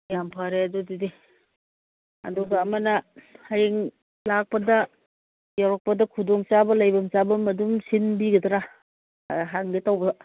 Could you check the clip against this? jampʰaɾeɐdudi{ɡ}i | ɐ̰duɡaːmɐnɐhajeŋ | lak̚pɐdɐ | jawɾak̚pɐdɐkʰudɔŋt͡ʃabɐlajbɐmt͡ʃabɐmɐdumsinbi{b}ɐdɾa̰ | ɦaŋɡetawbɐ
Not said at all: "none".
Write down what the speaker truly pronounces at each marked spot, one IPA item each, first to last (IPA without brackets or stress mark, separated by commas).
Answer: d, ɡ